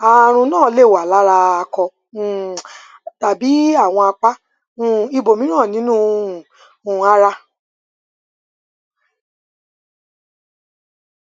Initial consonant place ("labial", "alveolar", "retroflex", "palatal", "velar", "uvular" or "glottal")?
alveolar